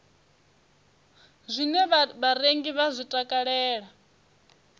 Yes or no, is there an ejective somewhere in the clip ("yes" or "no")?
yes